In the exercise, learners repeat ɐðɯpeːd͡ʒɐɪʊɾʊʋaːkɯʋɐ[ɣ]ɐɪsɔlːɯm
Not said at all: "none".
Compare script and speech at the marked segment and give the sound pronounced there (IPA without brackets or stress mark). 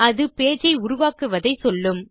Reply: ð